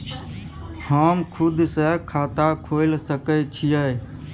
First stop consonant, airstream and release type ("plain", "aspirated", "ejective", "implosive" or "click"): aspirated